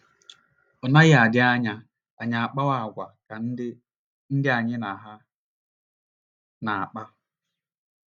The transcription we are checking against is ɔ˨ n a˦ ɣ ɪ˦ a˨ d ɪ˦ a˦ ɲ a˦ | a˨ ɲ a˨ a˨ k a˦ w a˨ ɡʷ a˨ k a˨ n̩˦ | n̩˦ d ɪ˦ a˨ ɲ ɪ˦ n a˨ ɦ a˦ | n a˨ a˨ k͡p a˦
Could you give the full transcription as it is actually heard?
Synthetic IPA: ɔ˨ n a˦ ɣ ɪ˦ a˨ d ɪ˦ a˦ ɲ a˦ | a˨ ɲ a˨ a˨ k͡p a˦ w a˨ ɡʷ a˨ k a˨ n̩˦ | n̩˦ d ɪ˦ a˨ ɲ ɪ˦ n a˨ ɦ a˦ | n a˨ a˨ k͡p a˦